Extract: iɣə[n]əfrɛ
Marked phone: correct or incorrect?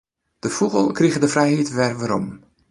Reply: incorrect